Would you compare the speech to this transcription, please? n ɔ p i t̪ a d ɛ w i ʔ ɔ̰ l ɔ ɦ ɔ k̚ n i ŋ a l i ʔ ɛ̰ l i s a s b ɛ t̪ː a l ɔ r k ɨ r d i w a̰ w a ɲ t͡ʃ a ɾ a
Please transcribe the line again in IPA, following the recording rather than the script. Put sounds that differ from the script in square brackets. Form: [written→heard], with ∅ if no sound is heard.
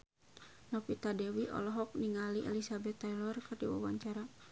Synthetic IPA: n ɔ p i t̪ a d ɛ w i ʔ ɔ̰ l ɔ ɦ ɔ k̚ n i ŋ a l i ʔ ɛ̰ l i s a [s→∅] b ɛ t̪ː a l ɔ r k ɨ r d i w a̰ w a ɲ t͡ʃ a ɾ a